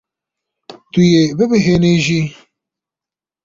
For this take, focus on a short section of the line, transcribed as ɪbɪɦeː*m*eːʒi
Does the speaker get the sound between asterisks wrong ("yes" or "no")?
yes